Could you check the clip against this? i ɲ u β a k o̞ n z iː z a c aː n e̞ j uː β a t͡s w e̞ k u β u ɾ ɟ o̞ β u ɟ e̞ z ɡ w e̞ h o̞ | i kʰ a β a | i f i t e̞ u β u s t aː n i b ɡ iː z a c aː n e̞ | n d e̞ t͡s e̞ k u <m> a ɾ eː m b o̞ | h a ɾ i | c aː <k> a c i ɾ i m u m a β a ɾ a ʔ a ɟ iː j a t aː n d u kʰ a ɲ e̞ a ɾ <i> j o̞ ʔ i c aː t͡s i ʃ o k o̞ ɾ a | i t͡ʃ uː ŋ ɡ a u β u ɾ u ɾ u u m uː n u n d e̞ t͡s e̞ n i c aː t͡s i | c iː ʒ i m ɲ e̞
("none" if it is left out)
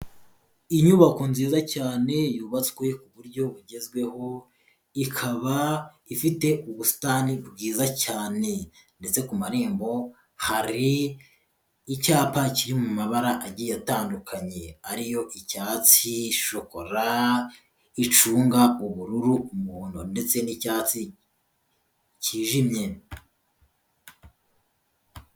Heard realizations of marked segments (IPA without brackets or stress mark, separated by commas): m, p, i